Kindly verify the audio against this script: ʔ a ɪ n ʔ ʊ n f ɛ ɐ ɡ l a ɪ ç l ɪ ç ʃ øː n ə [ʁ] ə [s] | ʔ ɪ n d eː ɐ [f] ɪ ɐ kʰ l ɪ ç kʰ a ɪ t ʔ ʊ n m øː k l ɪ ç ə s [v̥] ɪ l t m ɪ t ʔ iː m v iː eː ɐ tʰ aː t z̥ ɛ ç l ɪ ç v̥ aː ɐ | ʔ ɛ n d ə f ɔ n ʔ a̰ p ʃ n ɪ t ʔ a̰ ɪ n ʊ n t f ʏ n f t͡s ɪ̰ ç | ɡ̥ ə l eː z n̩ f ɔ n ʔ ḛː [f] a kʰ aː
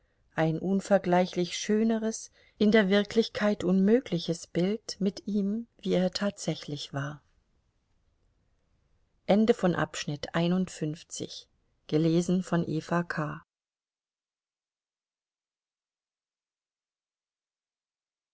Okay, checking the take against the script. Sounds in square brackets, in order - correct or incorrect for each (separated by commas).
correct, correct, incorrect, incorrect, correct